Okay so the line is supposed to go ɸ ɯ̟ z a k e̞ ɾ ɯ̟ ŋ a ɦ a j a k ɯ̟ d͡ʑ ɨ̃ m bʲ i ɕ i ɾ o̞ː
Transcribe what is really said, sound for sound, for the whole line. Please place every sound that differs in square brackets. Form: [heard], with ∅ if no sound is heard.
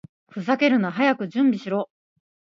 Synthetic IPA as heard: ɸ ɯ̟ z a k e̞ ɾ ɯ̟ [n] a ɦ a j a k ɯ̟ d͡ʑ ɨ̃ m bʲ i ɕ i ɾ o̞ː

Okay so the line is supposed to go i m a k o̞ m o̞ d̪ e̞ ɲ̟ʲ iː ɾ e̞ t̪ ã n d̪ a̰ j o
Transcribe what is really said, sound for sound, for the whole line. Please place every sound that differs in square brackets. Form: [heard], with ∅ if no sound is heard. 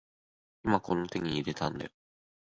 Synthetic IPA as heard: i m a k o̞ [n] o̞ [t̪] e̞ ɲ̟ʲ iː ɾ e̞ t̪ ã n d̪ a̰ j o

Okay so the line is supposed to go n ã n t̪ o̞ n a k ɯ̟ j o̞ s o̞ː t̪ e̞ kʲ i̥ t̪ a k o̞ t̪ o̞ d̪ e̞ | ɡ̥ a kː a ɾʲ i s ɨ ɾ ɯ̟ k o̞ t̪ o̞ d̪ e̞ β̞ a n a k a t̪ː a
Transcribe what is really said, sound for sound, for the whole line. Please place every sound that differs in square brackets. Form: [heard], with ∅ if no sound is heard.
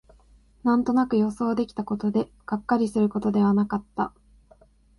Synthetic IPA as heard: n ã n t̪ o̞ n a k ɯ̟ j o̞ s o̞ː [d̪] e̞ kʲ i̥ t̪ a k o̞ t̪ o̞ d̪ e̞ | ɡ̥ a kː a ɾʲ i s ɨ ɾ ɯ̟ k o̞ t̪ o̞ d̪ e̞ β̞ a n a k a t̪ː a

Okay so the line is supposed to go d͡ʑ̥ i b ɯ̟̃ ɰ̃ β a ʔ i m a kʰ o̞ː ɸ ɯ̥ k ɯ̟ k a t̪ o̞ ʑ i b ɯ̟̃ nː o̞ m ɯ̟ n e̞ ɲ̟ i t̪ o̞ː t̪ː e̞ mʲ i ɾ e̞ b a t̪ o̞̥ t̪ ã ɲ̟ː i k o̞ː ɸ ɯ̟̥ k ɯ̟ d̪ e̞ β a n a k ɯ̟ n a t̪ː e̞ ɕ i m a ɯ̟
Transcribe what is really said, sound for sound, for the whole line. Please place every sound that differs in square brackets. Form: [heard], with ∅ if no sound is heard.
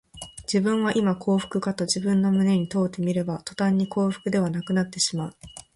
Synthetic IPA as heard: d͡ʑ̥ i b ɯ̟̃ ɰ̃ β a ʔ i m a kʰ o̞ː ɸ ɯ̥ k ɯ̟ k a t̪ o̞ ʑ i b ɯ̟̃ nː o̞ m ɯ̟ n e̞ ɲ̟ i t̪ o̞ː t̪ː e̞ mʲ i ɾ e̞ b a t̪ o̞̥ t̪ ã ɲ̟ː i k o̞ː ɸ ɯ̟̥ k ɯ̟ d̪ e̞ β a n a k ɯ̟ n a t̪ː e̞ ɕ i m a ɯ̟

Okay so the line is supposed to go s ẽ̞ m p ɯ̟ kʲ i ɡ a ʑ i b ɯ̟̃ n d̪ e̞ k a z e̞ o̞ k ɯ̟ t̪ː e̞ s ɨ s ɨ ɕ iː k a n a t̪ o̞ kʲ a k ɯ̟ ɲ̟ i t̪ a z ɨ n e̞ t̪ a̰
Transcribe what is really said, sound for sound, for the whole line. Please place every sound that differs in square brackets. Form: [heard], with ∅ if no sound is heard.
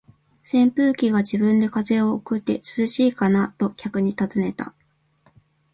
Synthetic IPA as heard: s ẽ̞ m p [ɯ̟ː] kʲ i ɡ a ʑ i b ɯ̟̃ n d̪ e̞ k a z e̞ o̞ k ɯ̟ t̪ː e̞ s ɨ [z] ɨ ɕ iː k a n a t̪ o̞ kʲ a k ɯ̟ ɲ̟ i t̪ a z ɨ n e̞ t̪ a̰

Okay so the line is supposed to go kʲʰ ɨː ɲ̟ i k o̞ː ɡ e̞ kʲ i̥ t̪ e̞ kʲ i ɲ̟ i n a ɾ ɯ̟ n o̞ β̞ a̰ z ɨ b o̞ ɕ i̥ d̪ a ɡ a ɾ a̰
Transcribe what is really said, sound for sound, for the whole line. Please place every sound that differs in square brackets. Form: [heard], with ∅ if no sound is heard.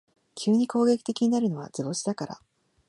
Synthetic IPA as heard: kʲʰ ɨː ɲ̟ i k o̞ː ɡ e̞ kʲ i̥ t̪ e̞ kʲ i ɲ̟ i n a ɾ ɯ̟ n o̞ β̞ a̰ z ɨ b o̞ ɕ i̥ d̪ a [k] a ɾ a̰

